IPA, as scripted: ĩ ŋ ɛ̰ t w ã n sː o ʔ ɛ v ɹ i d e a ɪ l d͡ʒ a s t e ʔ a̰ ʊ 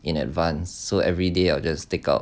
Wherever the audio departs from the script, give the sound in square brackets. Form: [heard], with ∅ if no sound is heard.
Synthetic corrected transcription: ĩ [n] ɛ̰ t [v] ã n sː o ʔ ɛ v ɹ i d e a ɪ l d͡ʒ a s t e [k] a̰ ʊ